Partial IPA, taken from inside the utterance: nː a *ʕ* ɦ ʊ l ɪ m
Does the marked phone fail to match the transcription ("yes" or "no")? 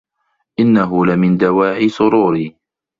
yes